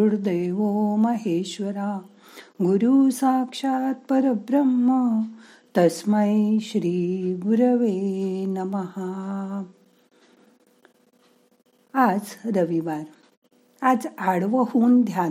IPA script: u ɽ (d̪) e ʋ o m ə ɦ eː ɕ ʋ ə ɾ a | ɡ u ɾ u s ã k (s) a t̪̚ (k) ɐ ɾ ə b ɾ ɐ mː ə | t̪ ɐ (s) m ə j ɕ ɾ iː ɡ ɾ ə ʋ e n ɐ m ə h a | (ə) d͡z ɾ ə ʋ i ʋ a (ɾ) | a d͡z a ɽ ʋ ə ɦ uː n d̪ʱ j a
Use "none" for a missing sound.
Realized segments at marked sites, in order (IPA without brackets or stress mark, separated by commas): d̪, ʂ, p, s, a, ɾ